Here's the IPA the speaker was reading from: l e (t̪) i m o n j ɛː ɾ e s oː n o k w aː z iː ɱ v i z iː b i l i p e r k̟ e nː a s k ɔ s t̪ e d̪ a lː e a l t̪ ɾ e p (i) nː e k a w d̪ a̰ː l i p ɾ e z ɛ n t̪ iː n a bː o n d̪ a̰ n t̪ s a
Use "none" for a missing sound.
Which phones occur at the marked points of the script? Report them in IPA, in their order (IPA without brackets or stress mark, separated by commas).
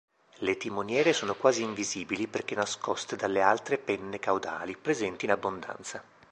t̪, ɛ